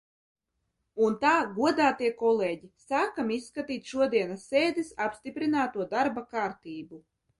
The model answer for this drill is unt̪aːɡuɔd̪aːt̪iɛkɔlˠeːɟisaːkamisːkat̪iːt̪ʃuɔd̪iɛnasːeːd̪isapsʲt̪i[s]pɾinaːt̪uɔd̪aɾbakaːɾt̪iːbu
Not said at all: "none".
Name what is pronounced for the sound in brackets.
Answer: none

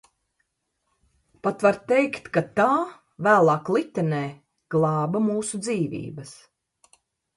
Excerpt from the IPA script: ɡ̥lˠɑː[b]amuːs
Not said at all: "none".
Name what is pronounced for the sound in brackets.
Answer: b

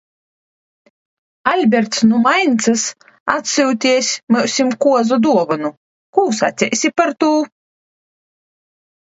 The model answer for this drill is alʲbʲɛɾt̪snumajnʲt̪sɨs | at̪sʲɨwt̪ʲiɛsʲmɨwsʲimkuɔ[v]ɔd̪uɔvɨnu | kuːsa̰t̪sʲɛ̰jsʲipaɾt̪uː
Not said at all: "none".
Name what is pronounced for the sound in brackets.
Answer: z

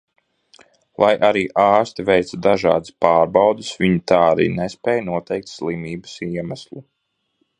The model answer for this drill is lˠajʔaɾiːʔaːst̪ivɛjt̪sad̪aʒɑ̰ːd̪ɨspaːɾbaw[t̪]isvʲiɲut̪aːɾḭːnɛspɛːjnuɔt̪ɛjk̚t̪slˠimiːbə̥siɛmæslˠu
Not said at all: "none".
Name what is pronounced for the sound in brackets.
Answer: d̪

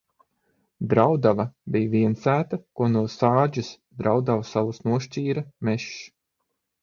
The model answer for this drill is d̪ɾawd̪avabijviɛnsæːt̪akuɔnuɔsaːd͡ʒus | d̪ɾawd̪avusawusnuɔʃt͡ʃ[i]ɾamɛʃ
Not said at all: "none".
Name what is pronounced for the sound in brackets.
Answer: iː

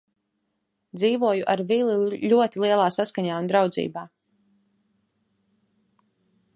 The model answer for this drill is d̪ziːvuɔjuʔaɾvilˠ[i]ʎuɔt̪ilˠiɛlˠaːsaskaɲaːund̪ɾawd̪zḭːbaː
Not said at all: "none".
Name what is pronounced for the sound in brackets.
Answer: i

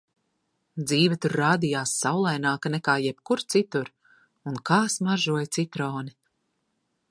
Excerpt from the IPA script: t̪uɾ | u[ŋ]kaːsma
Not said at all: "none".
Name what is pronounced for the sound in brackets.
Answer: n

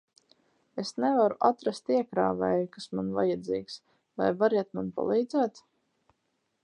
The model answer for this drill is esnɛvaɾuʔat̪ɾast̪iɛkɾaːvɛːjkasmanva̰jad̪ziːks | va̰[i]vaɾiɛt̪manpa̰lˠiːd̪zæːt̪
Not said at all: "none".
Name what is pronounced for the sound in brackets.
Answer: j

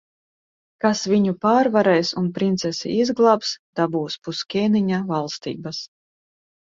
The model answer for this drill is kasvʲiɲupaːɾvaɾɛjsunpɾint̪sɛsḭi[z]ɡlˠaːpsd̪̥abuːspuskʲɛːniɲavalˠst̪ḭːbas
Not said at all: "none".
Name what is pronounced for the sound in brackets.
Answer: z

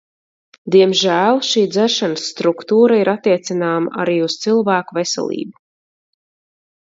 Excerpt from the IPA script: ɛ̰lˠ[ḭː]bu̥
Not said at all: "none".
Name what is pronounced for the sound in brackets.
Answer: ḭː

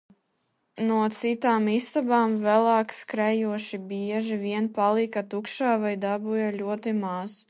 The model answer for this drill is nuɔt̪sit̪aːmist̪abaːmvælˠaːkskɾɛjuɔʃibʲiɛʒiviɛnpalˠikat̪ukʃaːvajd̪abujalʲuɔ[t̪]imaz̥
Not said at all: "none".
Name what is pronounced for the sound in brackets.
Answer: t̪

